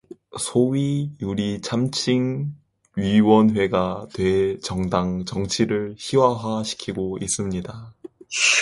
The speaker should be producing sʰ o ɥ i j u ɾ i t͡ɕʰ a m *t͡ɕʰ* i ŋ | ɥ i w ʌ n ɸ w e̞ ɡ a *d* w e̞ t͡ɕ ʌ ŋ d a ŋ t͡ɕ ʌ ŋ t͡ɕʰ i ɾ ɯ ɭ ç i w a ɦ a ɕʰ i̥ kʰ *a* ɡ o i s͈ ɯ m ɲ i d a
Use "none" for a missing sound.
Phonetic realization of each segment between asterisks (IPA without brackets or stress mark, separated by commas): t͡ɕʰ, t, i